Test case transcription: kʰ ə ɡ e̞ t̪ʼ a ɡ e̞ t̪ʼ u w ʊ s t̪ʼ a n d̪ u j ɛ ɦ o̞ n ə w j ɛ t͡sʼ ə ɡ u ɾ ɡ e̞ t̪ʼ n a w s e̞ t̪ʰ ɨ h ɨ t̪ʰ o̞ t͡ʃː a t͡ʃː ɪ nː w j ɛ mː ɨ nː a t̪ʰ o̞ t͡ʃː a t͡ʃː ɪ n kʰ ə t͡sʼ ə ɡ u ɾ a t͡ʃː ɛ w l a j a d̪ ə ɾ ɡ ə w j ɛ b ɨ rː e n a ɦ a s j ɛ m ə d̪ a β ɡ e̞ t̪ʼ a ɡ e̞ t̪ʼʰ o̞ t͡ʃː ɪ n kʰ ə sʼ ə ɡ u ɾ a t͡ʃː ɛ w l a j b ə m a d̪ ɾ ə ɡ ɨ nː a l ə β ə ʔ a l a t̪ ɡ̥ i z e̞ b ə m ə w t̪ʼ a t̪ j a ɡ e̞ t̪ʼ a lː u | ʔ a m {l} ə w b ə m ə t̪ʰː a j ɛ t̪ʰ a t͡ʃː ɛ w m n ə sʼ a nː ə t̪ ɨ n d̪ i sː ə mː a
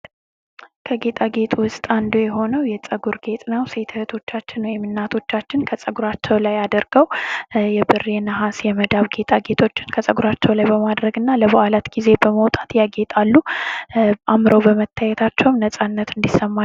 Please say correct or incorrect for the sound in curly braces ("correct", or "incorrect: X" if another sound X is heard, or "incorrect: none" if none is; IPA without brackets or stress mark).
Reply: incorrect: ɾ